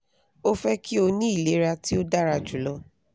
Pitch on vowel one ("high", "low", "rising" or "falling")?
high